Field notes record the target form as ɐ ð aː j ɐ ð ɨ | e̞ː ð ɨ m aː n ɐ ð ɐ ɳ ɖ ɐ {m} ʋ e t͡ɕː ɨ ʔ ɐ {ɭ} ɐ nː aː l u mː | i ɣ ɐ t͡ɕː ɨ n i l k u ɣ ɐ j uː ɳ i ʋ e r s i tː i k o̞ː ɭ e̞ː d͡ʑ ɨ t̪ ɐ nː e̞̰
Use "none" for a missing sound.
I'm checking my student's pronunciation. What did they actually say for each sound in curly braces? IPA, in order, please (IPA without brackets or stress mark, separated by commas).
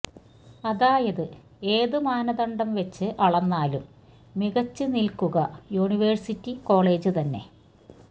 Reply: m, ɭ